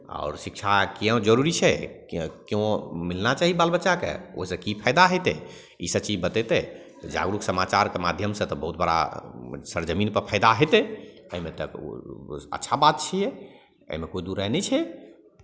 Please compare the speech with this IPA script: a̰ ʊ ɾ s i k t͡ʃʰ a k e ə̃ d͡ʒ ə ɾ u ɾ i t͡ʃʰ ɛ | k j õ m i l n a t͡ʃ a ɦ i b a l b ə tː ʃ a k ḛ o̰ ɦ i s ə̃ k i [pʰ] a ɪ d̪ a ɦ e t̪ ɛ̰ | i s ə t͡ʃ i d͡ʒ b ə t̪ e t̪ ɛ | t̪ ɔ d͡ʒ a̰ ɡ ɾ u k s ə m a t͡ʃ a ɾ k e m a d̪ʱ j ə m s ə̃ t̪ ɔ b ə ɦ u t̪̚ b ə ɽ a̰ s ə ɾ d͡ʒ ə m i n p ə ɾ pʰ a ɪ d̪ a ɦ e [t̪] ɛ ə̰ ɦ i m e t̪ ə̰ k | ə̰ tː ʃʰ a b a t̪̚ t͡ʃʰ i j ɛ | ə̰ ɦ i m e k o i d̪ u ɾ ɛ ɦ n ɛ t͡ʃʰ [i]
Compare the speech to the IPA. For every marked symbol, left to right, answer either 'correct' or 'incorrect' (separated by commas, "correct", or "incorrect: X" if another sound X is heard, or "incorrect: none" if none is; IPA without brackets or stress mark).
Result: correct, correct, incorrect: ɛ